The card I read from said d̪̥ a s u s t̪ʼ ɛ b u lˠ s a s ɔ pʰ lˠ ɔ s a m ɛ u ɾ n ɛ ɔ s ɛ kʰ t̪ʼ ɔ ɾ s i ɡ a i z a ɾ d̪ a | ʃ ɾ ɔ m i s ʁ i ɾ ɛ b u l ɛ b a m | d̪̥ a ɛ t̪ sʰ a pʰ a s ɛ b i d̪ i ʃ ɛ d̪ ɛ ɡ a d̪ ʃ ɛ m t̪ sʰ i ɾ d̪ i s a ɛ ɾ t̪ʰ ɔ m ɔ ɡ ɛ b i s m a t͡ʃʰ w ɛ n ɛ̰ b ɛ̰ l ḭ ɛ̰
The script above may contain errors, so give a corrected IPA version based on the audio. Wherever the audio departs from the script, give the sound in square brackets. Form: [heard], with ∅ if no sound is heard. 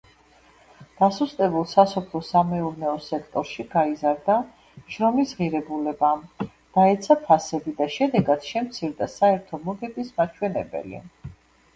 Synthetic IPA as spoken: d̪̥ a s u s t̪ʼ ɛ b u lˠ s a s ɔ pʰ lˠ ɔ s a m ɛ u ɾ n ɛ ɔ s ɛ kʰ t̪ʼ ɔ ɾ [ʃ] i ɡ a i z a ɾ d̪ a | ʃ ɾ ɔ m i s ʁ i ɾ ɛ b u l ɛ b a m | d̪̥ a ɛ t̪ sʰ a pʰ a s ɛ b i d̪ [a] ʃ ɛ d̪ ɛ ɡ a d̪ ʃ ɛ m t̪ sʰ i ɾ d̪ [a] s a ɛ ɾ t̪ʰ ɔ m ɔ ɡ ɛ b i s m a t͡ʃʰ w ɛ n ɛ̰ b ɛ̰ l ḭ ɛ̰

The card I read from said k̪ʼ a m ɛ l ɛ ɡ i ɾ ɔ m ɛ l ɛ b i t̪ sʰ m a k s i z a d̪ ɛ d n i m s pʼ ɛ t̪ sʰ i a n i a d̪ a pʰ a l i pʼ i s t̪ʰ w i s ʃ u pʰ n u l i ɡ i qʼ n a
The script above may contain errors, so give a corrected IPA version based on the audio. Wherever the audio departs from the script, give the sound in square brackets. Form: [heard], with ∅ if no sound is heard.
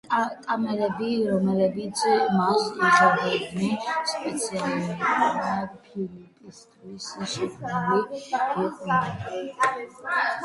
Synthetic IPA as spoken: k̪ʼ a m ɛ l ɛ [b] i ɾ ɔ m ɛ l ɛ b i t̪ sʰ m a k s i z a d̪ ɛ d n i [∅] s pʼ ɛ t̪ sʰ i a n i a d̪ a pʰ [i] l i pʼ i s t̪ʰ w i s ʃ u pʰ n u l i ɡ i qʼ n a

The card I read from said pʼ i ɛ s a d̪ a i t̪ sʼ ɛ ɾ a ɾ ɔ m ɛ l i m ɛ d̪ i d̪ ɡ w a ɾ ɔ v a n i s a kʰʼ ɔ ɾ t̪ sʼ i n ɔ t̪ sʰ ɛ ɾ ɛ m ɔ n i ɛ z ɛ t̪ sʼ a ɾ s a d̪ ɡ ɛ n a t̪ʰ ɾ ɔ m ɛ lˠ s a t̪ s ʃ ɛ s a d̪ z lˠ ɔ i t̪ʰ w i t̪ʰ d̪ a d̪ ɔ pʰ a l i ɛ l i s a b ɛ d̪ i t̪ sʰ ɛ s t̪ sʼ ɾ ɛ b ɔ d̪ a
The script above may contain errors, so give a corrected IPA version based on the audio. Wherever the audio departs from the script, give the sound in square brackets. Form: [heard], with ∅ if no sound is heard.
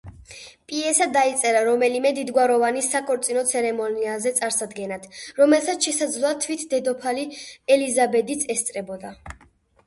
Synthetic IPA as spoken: pʼ i ɛ s a d̪ a i t̪ sʼ ɛ ɾ a ɾ ɔ m ɛ l i m ɛ d̪ i d̪ ɡ w a ɾ ɔ v a n i s a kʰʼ ɔ ɾ t̪ sʼ i n ɔ t̪ sʰ ɛ ɾ ɛ m ɔ n i [a] z ɛ t̪ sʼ a ɾ s a d̪ ɡ ɛ n a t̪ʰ ɾ ɔ m ɛ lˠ s a t̪ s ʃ ɛ s a d̪ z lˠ ɔ [a] t̪ʰ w i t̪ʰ d̪ [ɛ] d̪ ɔ pʰ a l i ɛ l i [z] a b ɛ d̪ i t̪ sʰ ɛ s t̪ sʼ ɾ ɛ b ɔ d̪ a

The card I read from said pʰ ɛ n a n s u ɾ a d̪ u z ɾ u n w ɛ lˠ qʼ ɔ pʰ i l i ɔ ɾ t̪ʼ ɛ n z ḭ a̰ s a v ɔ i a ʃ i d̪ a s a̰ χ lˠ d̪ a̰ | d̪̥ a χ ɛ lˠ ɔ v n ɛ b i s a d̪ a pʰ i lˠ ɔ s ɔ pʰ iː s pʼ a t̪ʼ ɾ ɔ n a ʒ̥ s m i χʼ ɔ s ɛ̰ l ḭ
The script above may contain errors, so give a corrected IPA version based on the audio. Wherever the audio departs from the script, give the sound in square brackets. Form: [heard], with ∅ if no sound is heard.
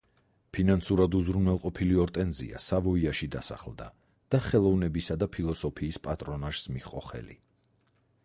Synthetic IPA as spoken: pʰ [i] n a n s u ɾ a d̪ u z ɾ u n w ɛ lˠ qʼ ɔ pʰ i l i ɔ ɾ t̪ʼ ɛ n z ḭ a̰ s a v ɔ i a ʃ i d̪ a s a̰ χ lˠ d̪ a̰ | d̪̥ a χ ɛ lˠ ɔ v n ɛ b i s a d̪ a pʰ i lˠ ɔ s ɔ pʰ iː s pʼ a t̪ʼ ɾ ɔ n a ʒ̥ s m i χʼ ɔ [χ] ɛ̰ l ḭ

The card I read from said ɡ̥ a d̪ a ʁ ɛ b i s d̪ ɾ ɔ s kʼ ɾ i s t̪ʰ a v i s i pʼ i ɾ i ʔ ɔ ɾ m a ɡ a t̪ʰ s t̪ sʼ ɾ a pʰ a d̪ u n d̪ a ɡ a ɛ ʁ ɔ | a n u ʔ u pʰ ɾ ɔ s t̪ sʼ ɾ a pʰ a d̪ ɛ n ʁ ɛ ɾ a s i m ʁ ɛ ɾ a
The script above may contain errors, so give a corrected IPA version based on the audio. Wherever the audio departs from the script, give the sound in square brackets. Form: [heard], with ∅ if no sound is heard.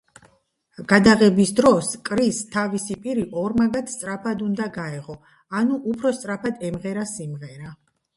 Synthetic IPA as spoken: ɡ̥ a d̪ a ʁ ɛ b i s d̪ ɾ ɔ s kʼ ɾ i s t̪ʰ a v i s i pʼ i ɾ i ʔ ɔ ɾ m a ɡ a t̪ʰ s t̪ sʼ ɾ a pʰ a d̪ u n d̪ a ɡ a ɛ ʁ ɔ | a n u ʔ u pʰ ɾ ɔ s t̪ sʼ ɾ a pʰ a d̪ ɛ [m] ʁ ɛ ɾ a s i m ʁ ɛ ɾ a

